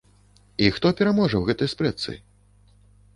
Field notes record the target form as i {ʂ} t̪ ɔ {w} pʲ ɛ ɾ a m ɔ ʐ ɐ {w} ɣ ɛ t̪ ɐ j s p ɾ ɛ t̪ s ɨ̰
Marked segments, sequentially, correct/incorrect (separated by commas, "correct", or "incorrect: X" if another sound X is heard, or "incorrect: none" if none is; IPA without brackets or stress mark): incorrect: x, incorrect: none, correct